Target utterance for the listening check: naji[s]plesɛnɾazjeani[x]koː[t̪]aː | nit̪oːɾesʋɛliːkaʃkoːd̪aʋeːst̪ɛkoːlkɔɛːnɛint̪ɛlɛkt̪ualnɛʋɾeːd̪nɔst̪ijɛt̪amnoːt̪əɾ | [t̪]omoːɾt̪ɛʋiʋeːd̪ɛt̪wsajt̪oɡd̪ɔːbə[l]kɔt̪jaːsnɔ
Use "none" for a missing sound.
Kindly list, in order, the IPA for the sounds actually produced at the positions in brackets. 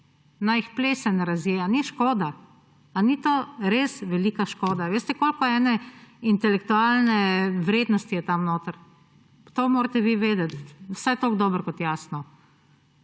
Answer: x, ʃ, d̪, t̪, ɾ

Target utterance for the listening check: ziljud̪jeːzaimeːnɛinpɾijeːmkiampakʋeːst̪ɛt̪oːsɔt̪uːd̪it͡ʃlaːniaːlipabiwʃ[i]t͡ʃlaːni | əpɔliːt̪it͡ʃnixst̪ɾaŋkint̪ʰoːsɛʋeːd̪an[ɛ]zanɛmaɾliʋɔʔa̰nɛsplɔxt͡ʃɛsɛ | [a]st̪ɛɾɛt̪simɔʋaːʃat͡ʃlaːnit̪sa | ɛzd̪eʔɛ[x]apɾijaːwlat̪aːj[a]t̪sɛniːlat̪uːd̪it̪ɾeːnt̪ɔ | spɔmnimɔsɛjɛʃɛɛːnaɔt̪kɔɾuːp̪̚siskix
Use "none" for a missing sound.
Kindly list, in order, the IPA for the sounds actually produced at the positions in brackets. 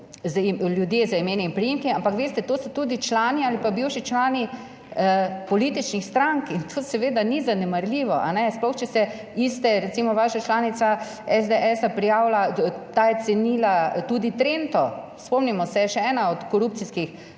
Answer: i, i, i, s, ɛ

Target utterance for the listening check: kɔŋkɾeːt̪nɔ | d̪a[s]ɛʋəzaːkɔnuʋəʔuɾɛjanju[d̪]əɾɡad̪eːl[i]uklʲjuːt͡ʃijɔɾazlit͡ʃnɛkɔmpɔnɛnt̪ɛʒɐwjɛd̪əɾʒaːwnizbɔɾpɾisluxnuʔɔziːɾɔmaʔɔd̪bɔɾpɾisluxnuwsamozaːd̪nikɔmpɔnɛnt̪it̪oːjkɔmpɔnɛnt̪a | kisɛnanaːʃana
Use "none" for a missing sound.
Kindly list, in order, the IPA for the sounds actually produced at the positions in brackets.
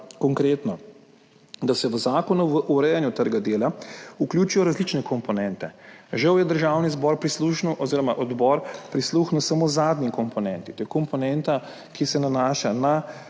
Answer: s, t̪, a

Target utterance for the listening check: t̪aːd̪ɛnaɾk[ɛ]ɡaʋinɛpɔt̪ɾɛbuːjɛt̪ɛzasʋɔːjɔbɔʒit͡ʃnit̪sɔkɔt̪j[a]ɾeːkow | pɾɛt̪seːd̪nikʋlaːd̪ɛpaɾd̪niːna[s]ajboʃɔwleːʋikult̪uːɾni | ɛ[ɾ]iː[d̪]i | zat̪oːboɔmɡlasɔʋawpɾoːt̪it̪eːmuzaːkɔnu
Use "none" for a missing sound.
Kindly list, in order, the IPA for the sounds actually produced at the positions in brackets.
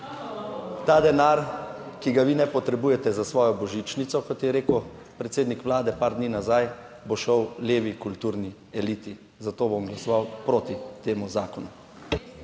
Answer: i, ɛ, z, l, t̪

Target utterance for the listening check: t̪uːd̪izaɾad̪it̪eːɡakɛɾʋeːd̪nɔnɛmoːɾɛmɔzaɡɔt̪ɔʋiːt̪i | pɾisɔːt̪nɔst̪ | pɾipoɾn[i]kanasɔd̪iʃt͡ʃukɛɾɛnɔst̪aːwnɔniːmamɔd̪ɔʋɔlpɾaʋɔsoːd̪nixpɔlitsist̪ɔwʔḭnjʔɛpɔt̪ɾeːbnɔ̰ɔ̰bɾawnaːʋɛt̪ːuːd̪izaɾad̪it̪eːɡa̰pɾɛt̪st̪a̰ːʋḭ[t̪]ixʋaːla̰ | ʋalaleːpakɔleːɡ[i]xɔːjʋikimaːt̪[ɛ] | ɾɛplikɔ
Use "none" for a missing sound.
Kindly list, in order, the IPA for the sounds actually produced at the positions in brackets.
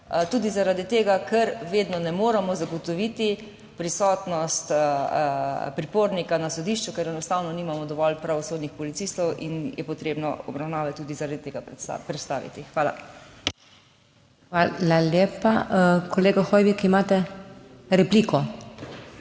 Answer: i, t̪, a, ɛ

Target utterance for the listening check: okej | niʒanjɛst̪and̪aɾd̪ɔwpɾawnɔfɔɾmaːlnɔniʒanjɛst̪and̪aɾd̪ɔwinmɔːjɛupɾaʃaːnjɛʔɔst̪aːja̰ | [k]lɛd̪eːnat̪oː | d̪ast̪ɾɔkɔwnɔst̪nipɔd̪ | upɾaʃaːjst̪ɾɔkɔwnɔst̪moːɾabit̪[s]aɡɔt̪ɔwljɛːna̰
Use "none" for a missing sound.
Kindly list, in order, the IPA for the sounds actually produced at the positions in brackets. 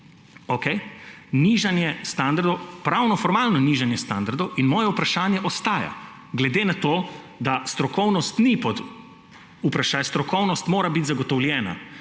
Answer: ɡ, z

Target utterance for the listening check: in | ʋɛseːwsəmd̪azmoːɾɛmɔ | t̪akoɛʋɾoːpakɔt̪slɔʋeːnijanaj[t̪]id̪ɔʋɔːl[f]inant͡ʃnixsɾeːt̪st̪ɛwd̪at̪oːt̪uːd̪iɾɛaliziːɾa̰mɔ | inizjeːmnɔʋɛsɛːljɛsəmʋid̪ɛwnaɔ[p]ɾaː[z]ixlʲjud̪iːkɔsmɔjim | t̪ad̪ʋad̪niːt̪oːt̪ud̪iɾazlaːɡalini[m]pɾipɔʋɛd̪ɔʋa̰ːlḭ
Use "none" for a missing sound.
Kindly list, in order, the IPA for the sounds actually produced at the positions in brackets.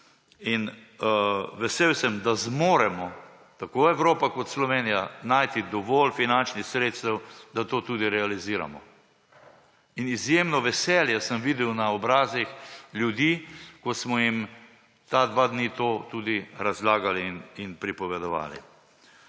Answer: t̪, f, b, z, n

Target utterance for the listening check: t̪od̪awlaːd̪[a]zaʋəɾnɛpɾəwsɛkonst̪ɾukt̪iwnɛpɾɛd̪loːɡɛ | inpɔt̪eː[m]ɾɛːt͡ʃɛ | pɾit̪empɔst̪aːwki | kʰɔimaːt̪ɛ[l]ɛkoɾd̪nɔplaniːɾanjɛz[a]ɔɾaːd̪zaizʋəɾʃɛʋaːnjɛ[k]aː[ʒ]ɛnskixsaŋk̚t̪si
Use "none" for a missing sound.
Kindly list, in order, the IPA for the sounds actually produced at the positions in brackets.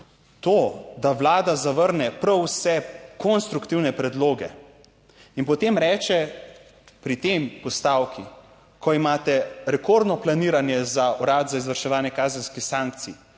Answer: a, m, ɾ, a, k, z

